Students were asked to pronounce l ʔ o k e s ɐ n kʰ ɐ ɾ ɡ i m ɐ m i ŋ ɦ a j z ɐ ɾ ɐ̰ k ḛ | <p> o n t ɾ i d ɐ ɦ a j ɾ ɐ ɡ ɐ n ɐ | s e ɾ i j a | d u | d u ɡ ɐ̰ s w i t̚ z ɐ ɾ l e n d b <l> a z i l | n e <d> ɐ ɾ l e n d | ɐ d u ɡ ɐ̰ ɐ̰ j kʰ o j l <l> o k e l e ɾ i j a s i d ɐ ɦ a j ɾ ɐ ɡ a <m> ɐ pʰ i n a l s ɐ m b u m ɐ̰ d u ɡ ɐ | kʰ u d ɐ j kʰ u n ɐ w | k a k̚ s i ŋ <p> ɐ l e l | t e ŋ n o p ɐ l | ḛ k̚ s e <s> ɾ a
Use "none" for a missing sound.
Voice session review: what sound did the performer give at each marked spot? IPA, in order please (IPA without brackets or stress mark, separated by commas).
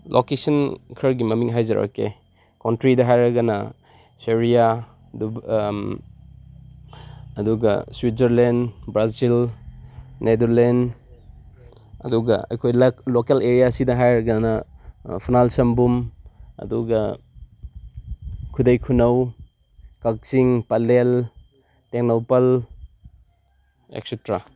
k, ɾ, d, l, n, p, t